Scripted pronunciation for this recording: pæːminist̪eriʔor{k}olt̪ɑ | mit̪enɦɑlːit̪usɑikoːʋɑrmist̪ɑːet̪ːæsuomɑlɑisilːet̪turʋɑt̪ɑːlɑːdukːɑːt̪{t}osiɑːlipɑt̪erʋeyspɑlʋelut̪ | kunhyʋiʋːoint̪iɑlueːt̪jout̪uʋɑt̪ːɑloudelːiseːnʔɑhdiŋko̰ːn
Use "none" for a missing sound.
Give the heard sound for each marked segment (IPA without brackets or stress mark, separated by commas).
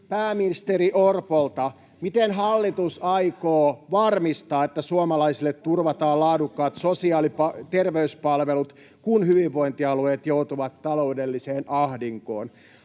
p, s